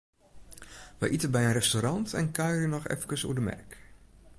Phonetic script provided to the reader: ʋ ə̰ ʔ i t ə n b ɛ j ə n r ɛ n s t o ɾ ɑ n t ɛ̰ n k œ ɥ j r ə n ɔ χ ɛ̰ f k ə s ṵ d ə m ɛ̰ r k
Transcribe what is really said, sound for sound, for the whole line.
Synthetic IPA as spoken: ʋ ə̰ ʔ i t ə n b ɛ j ə n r ɛ s t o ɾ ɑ n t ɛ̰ n k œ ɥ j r ə n ɔ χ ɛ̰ f k ə s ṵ d ə m ɛ̰ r k